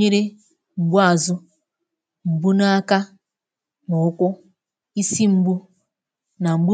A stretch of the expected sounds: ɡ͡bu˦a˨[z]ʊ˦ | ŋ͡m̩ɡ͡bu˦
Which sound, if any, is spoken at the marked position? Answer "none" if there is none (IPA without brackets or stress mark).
z